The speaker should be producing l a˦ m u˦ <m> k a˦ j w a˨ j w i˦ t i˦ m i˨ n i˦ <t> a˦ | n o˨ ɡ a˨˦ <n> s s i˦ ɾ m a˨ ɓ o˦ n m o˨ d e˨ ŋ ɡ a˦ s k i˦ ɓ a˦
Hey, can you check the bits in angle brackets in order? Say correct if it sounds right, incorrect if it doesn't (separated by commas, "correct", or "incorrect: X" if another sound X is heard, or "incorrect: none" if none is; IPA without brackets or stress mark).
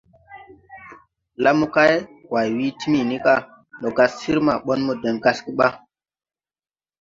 incorrect: none, incorrect: k, incorrect: none